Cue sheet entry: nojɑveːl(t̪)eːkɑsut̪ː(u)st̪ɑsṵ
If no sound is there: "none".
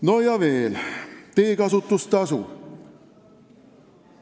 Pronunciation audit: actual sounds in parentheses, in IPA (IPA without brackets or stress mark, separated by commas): t̪, u